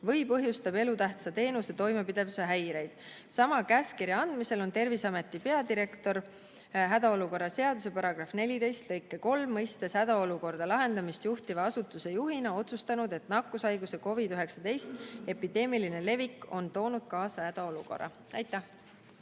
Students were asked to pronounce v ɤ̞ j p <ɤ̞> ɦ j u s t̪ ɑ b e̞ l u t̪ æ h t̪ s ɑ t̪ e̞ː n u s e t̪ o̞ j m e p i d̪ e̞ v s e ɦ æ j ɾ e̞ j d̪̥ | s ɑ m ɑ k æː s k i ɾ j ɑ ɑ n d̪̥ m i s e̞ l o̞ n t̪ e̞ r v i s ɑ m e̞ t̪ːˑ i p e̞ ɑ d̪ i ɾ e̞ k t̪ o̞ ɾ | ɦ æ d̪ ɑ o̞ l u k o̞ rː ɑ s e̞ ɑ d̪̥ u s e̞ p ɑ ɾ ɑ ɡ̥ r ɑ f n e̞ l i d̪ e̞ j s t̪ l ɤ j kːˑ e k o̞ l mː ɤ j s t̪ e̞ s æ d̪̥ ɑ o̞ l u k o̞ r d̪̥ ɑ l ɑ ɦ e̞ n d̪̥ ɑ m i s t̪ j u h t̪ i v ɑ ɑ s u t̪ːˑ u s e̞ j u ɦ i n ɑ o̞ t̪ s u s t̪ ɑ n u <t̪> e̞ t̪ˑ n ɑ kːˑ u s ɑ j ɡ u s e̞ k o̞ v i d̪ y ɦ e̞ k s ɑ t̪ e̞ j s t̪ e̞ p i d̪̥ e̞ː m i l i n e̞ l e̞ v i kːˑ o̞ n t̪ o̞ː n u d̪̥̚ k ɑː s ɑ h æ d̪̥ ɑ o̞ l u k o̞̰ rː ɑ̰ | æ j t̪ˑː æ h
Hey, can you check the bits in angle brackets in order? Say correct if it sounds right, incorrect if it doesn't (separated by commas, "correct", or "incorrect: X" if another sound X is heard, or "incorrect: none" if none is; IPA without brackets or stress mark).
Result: correct, incorrect: d̪